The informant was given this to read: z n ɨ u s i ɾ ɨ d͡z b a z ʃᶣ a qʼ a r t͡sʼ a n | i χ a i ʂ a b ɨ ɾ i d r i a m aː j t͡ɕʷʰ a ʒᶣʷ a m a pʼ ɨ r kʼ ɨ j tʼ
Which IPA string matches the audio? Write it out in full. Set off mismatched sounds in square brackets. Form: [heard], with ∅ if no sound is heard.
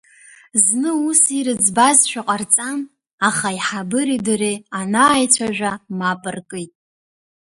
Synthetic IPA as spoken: z n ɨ u s i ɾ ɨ d͡z b a z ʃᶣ a qʼ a r t͡sʼ a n | [a] χ a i [ħ] a b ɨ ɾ i d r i a [n] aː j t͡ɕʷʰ a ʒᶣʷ a m a pʼ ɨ r kʼ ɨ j tʼ

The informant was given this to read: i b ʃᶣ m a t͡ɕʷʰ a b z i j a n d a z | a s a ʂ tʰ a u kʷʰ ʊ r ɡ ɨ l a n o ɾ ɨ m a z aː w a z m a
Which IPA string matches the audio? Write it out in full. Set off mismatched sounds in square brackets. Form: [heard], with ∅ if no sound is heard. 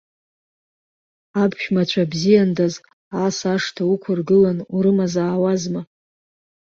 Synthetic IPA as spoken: [a] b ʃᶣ m a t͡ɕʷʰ a b z i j a n d a z | a s a ʂ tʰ a u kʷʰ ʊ r ɡ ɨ l a n [u] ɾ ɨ m a z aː w a z m a

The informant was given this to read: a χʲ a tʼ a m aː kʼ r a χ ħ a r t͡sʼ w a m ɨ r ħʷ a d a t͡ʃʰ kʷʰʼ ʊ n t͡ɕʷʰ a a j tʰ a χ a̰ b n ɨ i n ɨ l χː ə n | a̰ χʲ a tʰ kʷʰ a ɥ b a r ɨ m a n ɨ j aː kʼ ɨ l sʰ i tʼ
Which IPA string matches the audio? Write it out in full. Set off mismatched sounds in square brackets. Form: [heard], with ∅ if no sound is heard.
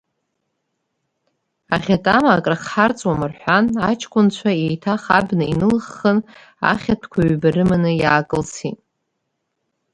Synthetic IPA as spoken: a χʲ a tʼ a m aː kʼ r a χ ħ a r t͡sʼ w a m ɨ r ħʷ a [n] a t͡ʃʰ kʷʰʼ ʊ n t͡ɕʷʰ a [e] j tʰ a χ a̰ b n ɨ i n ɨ l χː ə n | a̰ χʲ a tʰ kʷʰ a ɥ b a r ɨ m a n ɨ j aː kʼ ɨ l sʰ i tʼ

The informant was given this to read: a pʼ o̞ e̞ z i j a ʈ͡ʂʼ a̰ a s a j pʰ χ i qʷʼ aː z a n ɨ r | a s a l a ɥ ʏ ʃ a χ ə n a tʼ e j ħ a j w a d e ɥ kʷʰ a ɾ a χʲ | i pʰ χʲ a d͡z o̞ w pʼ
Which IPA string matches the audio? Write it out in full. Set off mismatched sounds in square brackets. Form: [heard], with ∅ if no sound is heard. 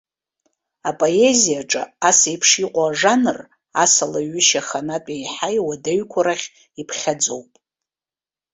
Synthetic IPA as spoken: a pʼ o̞ e̞ z i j a ʈ͡ʂʼ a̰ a s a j pʰ [ʂ] i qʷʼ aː [ʐ] a n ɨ r | a s a l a ɥ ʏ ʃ a χ [a] n a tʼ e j ħ a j w a d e ɥ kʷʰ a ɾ a χʲ | i pʰ χʲ a d͡z o̞ w pʼ

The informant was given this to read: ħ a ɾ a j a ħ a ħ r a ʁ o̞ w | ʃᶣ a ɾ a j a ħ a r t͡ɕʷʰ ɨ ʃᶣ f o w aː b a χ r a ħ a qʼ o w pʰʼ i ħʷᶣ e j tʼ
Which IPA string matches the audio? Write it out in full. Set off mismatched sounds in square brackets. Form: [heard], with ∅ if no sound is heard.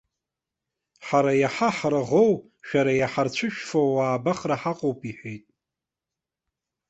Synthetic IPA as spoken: ħ a ɾ a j a ħ a ħ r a ʁ o̞ w | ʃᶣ a ɾ a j a ħ a r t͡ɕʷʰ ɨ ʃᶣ f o w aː b a χ r a ħ a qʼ o w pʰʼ i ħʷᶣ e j tʼ

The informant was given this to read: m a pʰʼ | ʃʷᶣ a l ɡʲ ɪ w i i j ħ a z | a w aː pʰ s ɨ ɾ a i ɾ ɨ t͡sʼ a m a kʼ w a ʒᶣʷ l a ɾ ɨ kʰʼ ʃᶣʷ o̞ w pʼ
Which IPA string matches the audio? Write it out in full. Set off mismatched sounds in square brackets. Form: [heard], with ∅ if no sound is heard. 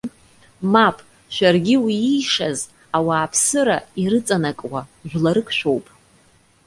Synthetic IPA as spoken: m a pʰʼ | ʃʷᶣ a [r] ɡʲ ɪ w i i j [ʂ] a z | a w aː pʰ s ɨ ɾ a i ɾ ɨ t͡sʼ a [n] a kʼ w a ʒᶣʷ l a ɾ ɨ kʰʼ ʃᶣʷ o̞ w pʼ

